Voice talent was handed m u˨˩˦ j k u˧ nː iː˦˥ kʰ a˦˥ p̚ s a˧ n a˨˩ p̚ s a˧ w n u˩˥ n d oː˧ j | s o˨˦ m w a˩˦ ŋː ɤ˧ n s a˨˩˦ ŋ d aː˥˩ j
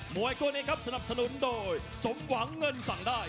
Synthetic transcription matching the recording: m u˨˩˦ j k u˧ n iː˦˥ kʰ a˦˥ p̚ s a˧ n a˨˩ p̚ s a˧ n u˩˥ n d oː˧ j | s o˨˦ m w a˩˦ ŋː ɤ˧ n s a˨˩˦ ŋ d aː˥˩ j